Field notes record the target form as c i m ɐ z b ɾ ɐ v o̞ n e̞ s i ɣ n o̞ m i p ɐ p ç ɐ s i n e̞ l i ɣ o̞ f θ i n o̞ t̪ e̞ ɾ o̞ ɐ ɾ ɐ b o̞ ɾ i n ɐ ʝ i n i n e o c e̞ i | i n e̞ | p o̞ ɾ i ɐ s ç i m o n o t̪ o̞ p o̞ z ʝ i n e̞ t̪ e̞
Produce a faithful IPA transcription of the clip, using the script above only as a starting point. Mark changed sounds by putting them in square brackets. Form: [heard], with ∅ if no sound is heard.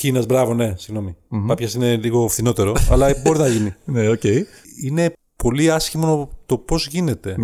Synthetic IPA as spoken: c i [n] ɐ z b ɾ ɐ v o̞ n e̞ s i ɣ n o̞ m i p ɐ p ç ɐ s i n e̞ l i ɣ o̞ f θ i n o̞ t̪ e̞ ɾ o̞ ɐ [l] ɐ b o̞ ɾ i n ɐ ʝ i n i n e o c e̞ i | i n e̞ | p o̞ [l] i ɐ s ç i m o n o t̪ o̞ p o̞ z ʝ i n e̞ t̪ e̞